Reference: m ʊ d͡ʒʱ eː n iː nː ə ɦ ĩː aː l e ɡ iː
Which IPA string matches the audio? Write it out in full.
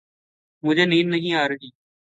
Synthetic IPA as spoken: m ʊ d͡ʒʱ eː n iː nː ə ɦ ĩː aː ɾ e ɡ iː